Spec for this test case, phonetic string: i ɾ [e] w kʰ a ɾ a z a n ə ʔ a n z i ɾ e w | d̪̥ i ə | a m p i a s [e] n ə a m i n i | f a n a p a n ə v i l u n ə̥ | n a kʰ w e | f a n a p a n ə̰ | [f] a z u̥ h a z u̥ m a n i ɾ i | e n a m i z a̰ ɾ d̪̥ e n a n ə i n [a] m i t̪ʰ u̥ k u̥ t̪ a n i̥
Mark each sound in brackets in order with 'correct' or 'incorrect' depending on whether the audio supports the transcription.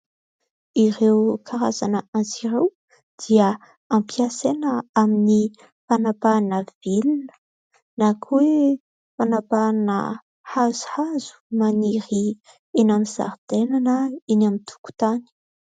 correct, correct, incorrect: h, correct

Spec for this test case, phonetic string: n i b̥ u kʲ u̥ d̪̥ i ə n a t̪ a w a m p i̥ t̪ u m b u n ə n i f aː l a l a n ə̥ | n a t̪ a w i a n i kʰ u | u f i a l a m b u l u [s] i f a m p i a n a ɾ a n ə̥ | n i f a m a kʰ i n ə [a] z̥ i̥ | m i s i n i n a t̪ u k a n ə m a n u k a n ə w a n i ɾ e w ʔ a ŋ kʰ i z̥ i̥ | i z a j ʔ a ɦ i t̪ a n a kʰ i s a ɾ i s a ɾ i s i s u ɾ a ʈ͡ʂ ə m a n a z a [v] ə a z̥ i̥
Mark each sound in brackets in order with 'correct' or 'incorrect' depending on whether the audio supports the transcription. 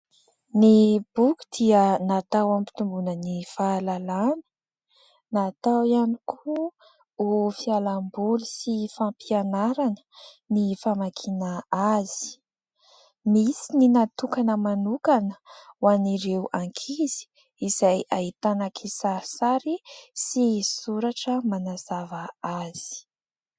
correct, correct, correct

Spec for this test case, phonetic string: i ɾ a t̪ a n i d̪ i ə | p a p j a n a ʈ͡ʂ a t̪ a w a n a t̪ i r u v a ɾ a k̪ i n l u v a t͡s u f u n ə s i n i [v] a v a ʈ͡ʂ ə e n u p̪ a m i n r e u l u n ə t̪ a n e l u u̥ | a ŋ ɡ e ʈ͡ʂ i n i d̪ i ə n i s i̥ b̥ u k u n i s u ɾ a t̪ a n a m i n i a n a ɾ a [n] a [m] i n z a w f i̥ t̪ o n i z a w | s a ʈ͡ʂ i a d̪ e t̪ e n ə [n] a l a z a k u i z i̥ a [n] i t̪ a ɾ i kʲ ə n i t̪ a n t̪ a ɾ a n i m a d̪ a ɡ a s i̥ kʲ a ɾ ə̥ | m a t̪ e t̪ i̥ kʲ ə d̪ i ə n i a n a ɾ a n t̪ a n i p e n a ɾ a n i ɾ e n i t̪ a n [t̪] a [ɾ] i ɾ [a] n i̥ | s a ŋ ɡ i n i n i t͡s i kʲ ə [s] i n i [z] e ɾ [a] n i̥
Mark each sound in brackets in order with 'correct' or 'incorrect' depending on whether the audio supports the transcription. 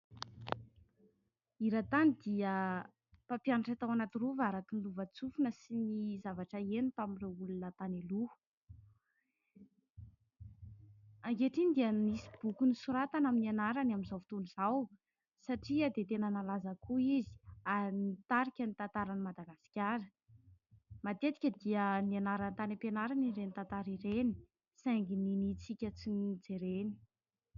incorrect: z, correct, correct, correct, correct, correct, correct, incorrect: e, incorrect: t͡s, incorrect: d͡z, incorrect: e

